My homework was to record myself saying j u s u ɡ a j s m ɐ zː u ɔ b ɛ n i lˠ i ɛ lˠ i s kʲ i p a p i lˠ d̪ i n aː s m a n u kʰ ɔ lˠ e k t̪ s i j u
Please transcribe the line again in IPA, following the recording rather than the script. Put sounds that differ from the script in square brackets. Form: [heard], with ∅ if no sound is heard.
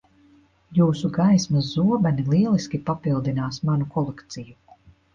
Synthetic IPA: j [uː] s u ɡ a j s m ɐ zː u ɔ b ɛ n i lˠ i ɛ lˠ i s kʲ i p a p i lˠ d̪ i n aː s m a n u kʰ ɔ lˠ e k t̪ s i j u